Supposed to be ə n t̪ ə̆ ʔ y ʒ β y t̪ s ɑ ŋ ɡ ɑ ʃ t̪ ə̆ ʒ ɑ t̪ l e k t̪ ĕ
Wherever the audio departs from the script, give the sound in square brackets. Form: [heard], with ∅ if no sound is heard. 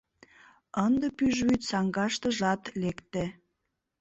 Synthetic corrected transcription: ə n [d̪] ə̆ [p] y ʒ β y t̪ s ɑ ŋ ɡ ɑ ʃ t̪ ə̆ ʒ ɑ t̪ l e k t̪ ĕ